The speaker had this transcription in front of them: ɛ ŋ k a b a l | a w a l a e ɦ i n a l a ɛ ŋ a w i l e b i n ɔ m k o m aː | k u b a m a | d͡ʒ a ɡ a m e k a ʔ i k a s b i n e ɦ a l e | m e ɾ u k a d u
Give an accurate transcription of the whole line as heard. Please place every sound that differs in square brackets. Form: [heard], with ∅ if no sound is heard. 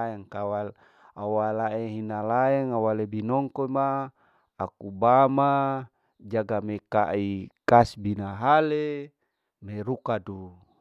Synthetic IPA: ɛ ŋ k a [w] a l | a w a l a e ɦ i n a l a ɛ ŋ a w [a] l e b i n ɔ [ŋ] k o m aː | k u b a m a | d͡ʒ a ɡ a m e k a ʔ i k a s b i n [a] ɦ a l e | m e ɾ u k a d u